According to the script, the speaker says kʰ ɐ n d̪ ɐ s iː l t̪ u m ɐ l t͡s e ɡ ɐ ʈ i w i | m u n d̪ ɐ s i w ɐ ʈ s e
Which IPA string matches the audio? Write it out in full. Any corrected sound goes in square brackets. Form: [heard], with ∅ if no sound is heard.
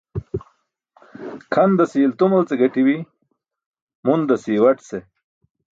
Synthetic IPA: kʰ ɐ n d̪ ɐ s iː l t̪ u m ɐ l t͡s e ɡ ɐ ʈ i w i | m u n d̪ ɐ s i w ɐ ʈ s e